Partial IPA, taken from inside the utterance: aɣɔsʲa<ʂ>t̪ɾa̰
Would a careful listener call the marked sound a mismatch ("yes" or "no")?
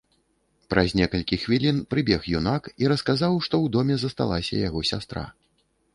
yes